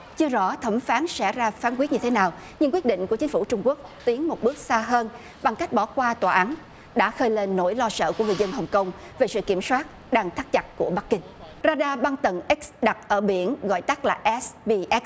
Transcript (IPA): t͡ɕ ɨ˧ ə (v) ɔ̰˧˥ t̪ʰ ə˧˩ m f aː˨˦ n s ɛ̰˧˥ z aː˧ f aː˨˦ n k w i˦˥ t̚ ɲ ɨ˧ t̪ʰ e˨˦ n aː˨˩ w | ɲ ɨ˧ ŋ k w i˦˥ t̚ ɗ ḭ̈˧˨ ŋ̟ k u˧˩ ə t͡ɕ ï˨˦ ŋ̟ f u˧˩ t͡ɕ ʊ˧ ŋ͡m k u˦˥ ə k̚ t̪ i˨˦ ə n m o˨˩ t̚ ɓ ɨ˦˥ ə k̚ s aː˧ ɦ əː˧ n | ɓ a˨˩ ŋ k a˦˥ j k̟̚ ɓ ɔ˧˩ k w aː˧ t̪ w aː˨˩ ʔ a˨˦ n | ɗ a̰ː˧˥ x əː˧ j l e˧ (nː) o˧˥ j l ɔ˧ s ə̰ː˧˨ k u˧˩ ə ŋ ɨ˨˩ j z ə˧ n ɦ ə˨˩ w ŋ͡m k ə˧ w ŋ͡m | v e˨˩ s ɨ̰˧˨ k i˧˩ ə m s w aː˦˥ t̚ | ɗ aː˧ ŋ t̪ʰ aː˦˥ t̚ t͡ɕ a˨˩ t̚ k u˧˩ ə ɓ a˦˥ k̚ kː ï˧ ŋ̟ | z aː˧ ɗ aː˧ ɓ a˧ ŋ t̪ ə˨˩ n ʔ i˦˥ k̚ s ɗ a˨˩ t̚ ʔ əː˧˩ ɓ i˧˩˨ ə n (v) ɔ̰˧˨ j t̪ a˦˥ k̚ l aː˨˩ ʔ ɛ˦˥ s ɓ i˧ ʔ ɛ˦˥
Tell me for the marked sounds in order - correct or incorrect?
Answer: incorrect, correct, incorrect

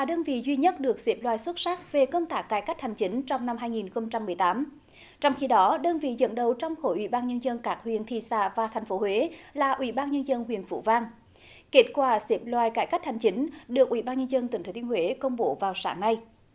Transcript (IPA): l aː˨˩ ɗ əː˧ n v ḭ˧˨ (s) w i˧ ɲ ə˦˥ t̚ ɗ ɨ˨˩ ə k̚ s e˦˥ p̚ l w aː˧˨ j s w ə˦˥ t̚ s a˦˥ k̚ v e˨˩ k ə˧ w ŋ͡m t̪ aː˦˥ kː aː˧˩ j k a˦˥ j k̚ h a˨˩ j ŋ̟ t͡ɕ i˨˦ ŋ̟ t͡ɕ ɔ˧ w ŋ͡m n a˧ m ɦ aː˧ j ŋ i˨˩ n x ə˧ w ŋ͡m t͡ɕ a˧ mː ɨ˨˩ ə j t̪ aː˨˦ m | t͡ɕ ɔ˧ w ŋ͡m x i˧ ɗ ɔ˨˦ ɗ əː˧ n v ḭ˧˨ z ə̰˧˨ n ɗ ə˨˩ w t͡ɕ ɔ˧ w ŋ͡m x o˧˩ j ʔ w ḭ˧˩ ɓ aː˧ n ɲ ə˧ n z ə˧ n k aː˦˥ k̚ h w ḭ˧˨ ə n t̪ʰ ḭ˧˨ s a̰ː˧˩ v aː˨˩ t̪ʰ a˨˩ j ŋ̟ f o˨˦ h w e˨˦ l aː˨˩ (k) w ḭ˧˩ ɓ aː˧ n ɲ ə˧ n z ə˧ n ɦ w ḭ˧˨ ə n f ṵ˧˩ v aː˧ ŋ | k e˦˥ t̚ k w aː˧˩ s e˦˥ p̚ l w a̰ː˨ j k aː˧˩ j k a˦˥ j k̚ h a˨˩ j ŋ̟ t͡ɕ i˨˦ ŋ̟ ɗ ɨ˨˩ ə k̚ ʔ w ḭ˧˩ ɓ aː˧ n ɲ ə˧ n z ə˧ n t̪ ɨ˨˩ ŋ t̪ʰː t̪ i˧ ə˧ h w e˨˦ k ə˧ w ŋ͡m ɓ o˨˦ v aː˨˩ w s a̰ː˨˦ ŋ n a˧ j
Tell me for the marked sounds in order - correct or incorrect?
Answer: incorrect, incorrect

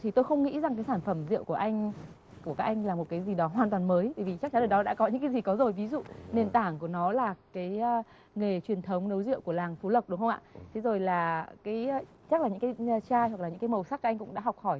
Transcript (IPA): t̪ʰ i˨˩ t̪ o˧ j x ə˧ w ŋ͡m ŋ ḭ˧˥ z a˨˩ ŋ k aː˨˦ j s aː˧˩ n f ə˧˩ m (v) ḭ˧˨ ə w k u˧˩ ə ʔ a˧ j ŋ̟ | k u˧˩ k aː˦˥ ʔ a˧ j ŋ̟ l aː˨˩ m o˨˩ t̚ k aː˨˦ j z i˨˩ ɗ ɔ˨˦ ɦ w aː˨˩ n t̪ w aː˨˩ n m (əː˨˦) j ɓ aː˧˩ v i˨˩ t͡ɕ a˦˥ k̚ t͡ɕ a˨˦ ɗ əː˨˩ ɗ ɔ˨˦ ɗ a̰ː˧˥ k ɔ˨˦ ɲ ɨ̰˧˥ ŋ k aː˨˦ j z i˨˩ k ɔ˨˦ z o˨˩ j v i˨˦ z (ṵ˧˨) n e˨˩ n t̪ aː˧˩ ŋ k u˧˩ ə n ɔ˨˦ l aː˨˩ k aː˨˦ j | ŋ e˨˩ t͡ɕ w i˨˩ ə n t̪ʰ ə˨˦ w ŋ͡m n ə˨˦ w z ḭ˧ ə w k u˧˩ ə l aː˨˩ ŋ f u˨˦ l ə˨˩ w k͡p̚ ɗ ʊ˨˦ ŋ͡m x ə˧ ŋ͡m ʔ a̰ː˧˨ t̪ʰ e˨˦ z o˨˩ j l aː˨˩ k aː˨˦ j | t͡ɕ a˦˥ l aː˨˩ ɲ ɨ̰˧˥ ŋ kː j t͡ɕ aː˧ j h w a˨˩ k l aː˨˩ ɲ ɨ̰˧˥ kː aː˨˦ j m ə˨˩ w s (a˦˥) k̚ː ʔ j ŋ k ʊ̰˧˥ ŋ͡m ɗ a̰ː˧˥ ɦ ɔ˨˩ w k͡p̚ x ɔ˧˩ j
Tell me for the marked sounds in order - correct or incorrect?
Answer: incorrect, correct, correct, correct

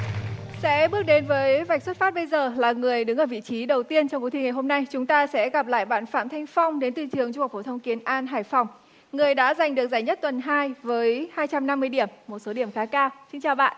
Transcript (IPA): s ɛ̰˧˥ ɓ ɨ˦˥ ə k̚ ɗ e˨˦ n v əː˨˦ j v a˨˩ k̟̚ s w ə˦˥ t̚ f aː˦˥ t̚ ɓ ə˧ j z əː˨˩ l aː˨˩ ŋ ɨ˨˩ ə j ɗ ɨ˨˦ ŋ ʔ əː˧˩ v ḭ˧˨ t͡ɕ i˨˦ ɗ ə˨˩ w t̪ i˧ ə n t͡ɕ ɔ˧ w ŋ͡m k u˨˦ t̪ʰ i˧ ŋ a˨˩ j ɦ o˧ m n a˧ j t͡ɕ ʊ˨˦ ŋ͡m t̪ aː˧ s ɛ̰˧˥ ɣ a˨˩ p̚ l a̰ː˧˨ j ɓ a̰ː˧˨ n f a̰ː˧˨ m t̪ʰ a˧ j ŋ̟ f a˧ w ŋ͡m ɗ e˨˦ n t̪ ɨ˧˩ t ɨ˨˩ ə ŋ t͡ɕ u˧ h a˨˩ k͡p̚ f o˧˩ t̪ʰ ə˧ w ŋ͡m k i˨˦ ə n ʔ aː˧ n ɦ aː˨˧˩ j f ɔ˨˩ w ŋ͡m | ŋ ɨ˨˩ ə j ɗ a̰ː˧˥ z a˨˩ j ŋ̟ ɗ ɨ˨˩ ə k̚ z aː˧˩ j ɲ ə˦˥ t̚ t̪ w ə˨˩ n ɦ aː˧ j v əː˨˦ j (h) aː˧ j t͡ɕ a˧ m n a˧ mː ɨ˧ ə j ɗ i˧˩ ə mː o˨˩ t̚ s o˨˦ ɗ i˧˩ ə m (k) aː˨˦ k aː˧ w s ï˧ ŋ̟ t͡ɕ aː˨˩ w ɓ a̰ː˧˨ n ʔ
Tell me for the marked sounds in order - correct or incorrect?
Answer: correct, incorrect

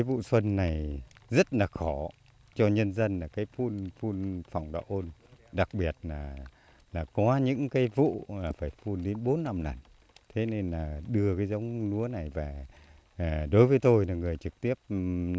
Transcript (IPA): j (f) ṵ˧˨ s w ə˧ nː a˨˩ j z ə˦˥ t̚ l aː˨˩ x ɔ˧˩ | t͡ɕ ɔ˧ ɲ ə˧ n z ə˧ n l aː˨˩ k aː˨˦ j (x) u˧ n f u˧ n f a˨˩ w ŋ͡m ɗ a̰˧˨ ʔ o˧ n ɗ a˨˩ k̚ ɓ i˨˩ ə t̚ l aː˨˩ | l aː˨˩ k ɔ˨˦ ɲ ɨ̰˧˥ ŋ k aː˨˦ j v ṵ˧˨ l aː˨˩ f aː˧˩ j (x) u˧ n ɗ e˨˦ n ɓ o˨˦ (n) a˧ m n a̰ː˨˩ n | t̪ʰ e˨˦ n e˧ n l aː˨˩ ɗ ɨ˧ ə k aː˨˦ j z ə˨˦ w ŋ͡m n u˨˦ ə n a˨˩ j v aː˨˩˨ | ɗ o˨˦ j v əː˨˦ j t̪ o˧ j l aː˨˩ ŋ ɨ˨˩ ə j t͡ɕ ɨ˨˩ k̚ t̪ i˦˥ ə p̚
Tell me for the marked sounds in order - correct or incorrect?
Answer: incorrect, incorrect, incorrect, incorrect

